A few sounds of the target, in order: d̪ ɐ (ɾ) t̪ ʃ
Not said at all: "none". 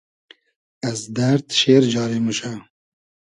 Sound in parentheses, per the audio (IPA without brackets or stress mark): ɾ